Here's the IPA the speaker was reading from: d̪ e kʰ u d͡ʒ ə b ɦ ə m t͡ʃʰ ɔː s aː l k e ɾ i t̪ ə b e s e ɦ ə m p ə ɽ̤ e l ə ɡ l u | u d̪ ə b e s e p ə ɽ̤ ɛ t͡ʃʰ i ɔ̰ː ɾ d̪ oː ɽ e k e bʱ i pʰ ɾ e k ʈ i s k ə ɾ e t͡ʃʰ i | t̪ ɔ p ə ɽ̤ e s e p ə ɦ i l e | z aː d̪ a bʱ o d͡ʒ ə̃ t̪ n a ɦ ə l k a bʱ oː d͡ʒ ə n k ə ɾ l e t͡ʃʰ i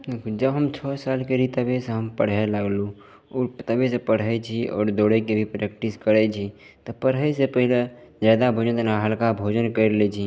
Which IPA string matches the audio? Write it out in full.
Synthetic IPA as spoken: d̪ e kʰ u d͡ʒ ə b ɦ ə m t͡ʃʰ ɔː s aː l k e ɾ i t̪ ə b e s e ɦ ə m p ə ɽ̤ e l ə ɡ l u | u t̪ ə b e s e p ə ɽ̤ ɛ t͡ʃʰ i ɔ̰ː ɾ d̪ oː ɽ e k e bʱ i p ɾ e k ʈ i s k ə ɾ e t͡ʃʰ i | t̪ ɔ p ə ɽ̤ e s e p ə ɦ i l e | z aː d̪ a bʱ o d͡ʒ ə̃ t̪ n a ɦ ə l k a bʱ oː d͡ʒ ə n k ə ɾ l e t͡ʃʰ i